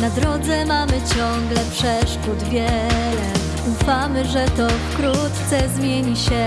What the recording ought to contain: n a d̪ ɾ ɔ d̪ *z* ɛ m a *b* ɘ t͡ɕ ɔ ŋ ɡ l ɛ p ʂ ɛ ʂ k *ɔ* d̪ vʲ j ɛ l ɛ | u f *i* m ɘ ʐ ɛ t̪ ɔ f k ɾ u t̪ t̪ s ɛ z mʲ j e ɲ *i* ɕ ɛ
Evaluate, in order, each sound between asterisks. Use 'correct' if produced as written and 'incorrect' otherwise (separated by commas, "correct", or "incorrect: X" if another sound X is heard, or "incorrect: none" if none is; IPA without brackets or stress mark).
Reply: correct, incorrect: m, incorrect: u, incorrect: a, correct